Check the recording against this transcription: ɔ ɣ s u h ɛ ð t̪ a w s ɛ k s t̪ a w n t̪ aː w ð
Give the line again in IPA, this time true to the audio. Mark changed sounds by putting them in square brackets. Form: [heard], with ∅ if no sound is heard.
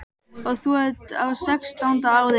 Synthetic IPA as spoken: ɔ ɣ [θ] u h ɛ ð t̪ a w s ɛ k s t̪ a w n t̪ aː w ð